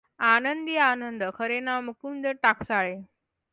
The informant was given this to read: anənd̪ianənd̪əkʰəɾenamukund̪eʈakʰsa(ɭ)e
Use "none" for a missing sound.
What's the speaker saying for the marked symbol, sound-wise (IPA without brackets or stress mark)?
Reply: ɭ